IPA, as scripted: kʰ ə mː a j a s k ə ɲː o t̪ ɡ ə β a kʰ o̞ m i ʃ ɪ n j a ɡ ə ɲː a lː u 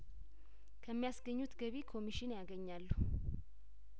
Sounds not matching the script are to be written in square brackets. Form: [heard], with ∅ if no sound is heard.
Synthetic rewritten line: kʰ ə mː [i] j a s [ɡ] ə ɲː [u] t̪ ɡ ə β [i] kʰ o̞ m i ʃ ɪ n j a ɡ ə ɲː a lː u

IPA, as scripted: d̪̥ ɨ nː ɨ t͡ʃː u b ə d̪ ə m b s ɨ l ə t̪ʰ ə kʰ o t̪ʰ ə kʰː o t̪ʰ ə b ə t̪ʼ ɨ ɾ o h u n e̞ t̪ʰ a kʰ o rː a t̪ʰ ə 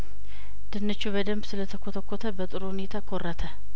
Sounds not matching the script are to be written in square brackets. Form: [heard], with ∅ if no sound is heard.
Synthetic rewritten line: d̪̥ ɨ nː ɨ t͡ʃː u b ə d̪ ə m b s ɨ l ə t̪ʰ ə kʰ o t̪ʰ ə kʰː o t̪ʰ ə b ə t̪ʼ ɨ ɾ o h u n e̞ t̪ʰ a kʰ o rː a t̪ʰ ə

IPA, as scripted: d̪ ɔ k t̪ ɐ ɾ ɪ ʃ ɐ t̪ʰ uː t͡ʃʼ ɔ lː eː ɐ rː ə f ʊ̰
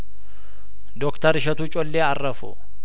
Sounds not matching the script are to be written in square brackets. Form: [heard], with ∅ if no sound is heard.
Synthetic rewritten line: d̪ ɔ k t̪ ɐ ɾ ɪ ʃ ɐ [t̪] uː t͡ʃʼ ɔ lː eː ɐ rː [ɐ] f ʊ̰

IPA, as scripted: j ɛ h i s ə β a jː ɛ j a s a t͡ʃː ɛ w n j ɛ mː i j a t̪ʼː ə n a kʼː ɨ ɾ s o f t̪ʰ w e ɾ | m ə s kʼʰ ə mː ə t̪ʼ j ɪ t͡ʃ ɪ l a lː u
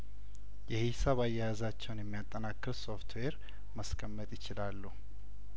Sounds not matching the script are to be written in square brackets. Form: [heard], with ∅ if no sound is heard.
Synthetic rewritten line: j ɛ h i s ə β a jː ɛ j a [z] a t͡ʃː ɛ w n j ɛ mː i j a t̪ʼː ə n a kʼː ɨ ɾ s o f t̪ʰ w e ɾ | m ə s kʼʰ ə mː ə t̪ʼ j ɪ t͡ʃ ɪ l a lː u

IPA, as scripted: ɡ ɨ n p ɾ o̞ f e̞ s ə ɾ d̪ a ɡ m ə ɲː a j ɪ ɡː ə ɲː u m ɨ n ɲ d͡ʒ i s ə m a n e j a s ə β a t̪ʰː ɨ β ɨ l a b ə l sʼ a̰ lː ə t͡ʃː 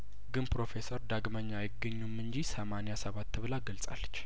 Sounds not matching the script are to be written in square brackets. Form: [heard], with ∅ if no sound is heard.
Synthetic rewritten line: ɡ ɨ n p ɾ o̞ f e̞ s ə ɾ d̪ a ɡ m ə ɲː a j ɪ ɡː ə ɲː u m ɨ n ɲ d͡ʒ i s ə m a n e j a s ə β a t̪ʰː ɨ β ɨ l a [ɡ] ə l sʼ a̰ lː ə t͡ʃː

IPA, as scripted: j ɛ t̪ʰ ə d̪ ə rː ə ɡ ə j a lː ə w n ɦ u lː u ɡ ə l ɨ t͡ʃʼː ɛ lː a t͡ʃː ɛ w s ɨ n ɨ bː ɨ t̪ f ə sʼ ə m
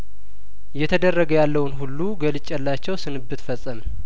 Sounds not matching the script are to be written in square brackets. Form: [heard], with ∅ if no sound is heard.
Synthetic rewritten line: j ɛ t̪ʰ ə d̪ ə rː ə ɡ ə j a lː ə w n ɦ u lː u ɡ ə l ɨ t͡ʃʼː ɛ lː a t͡ʃː ɛ w s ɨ n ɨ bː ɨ t̪ f ə sʼ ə m

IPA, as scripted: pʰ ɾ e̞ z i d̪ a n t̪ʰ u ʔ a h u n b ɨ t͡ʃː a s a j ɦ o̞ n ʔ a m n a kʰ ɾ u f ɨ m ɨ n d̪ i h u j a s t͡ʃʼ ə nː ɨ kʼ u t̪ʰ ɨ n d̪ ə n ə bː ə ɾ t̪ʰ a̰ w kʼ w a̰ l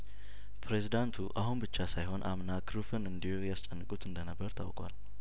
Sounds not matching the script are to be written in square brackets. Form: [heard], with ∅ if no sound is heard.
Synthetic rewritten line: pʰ ɾ e̞ z i d̪ a n t̪ʰ u ʔ a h u n b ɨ t͡ʃː a s a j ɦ o̞ n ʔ a m n a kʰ ɾ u f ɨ [n] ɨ n d̪ i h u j a s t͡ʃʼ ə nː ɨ kʼ u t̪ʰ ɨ n d̪ ə n ə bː ə ɾ t̪ʰ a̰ w kʼ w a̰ l

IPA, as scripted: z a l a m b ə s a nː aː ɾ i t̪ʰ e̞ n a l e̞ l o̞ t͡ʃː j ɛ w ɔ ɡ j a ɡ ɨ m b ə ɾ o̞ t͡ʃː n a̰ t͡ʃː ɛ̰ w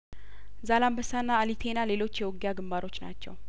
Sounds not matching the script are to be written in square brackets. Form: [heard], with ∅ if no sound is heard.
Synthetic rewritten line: z a l a m b ə s a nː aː [l] i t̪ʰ e̞ n a l e̞ l o̞ t͡ʃː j ɛ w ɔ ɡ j a ɡ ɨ m b [a] ɾ o̞ t͡ʃː n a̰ t͡ʃː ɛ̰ w

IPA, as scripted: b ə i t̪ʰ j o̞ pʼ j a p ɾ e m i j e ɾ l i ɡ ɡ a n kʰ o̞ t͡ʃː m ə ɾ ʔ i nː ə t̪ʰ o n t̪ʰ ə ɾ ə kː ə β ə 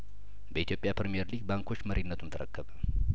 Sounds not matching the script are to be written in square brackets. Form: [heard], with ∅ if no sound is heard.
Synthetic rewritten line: b ə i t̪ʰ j o̞ pʼ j a p ɾ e m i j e ɾ l i ɡ [b] a [ŋ] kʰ o̞ t͡ʃː m ə ɾ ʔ i nː ə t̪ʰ [u] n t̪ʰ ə ɾ ə kː ə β ə

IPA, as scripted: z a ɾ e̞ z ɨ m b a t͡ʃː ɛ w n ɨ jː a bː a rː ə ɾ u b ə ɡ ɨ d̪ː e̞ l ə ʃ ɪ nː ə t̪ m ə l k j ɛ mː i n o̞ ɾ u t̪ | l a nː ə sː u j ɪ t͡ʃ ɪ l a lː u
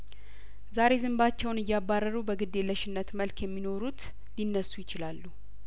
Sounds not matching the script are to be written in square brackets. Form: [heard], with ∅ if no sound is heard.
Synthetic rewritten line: z a ɾ e̞ z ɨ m b a t͡ʃː ɛ w n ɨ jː a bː a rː ə ɾ u b ə ɡ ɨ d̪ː e̞ l ə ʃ ɪ nː ə t̪ m ə l k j ɛ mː i n o̞ ɾ u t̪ | l [i] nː ə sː u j ɪ t͡ʃ ɪ l a lː u

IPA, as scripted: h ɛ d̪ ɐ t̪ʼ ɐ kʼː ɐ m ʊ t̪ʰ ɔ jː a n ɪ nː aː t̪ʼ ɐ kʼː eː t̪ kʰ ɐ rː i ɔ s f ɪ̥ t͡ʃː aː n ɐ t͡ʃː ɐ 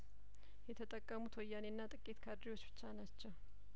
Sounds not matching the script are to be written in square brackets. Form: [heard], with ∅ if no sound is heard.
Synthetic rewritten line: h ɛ [t̪] ɐ t̪ʼ ɐ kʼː ɐ m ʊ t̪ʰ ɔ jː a n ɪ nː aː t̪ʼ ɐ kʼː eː t̪ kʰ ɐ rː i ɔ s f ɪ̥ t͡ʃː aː n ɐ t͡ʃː ɐ

